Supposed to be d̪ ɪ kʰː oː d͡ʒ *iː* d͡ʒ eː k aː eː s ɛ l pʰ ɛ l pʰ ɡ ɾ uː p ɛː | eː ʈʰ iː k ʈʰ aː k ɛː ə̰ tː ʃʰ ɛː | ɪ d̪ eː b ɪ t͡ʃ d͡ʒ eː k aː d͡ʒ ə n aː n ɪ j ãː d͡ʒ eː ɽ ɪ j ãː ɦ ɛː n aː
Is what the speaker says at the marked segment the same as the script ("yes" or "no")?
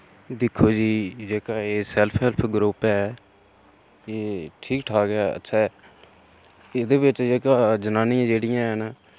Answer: yes